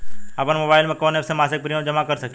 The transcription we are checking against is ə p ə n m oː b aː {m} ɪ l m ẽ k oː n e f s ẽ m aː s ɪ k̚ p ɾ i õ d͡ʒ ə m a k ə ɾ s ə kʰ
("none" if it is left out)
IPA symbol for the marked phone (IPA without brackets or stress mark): none